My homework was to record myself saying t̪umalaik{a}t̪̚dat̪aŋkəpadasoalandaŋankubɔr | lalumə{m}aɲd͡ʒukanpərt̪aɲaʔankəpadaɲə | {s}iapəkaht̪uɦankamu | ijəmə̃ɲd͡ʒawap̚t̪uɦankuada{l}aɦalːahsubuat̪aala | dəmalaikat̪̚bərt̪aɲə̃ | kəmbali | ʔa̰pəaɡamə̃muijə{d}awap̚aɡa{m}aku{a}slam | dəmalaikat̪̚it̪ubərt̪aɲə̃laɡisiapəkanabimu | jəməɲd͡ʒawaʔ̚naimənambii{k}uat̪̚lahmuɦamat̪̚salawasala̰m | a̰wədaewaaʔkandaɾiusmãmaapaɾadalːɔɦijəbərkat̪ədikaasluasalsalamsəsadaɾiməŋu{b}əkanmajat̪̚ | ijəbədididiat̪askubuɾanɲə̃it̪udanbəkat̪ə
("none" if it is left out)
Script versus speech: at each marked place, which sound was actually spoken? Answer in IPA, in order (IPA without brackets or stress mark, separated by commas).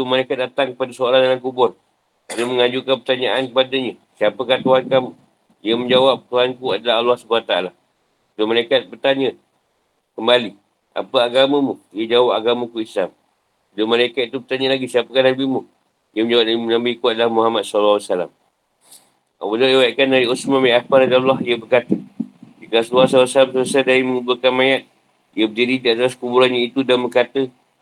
a, ŋ, s, l, d͡ʒ, m, i, k, b